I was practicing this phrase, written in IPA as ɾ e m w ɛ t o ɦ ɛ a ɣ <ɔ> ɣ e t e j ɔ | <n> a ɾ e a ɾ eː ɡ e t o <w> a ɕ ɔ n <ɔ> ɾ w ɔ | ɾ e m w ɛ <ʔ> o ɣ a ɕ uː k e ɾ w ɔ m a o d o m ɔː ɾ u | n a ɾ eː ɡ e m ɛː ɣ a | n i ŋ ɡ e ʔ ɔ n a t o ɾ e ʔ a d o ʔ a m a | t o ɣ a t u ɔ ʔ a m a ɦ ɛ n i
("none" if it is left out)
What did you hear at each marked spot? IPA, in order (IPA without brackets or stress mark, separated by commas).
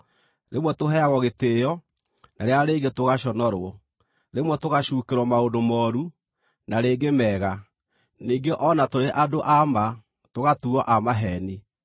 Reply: ɔ, n, ɣ, ɔ, t